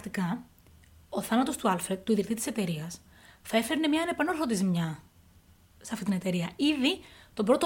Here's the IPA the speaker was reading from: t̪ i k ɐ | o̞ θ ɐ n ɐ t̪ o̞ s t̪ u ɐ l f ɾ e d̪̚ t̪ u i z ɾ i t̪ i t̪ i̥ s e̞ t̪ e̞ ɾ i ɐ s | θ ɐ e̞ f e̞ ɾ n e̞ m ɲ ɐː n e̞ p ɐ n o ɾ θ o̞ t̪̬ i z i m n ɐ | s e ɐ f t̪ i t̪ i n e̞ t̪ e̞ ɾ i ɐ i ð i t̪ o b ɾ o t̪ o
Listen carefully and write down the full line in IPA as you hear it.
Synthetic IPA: t̪ i k ɐ | o̞ θ ɐ n ɐ t̪ o̞ s t̪ u ɐ l f ɾ e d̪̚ t̪ u i ð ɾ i t̪ i t̪ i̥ s e̞ t̪ e̞ ɾ i ɐ s | θ ɐ e̞ f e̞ ɾ n e̞ m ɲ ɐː n e̞ p ɐ n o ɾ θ o̞ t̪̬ i z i m ɲ ɐ | s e ɐ f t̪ i t̪ i n e̞ t̪ e̞ ɾ i ɐ i ð i t̪ o b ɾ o t̪ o